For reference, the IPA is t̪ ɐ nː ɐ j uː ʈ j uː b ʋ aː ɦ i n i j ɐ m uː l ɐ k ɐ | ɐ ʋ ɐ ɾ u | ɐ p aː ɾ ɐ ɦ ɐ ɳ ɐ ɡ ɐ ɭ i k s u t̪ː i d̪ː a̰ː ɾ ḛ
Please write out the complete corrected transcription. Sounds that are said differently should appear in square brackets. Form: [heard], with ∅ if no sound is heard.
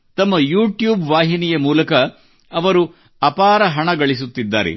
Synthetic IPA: t̪ ɐ [mː] ɐ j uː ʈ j uː b ʋ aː ɦ i n i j ɐ m uː l ɐ k ɐ | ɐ ʋ ɐ ɾ u | ɐ p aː ɾ ɐ ɦ ɐ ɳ ɐ ɡ ɐ ɭ i [∅] s u t̪ː i d̪ː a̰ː ɾ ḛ